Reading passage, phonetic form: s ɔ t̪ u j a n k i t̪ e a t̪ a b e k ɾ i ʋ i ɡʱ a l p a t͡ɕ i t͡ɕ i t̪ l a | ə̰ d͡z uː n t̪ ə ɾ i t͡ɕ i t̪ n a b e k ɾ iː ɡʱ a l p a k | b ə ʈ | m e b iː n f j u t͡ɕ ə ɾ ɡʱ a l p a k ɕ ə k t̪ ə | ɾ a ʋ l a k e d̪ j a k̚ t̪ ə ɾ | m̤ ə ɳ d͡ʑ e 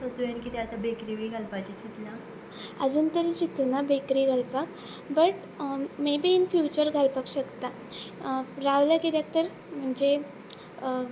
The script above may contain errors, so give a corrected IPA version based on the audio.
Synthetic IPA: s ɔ t̪ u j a n k i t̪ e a t̪ a b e k ɾ i ʋ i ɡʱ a l p a t͡ɕ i t͡ɕ i t̪ l a | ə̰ d͡z uː n t̪ ə ɾ i t͡ɕ i t̪ n a b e k ɾ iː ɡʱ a l p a k | b ə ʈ | m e b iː n f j u t͡ɕ ə ɾ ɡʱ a l p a k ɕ ə k t̪ a | ɾ a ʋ l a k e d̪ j a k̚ t̪ ə ɾ | m̤ ə ɳ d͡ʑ e